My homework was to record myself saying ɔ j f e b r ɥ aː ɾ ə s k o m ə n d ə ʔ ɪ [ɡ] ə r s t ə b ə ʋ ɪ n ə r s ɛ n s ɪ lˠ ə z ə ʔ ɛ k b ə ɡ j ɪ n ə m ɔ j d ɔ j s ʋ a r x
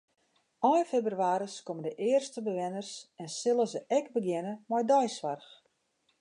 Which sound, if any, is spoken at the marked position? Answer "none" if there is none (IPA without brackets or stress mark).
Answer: none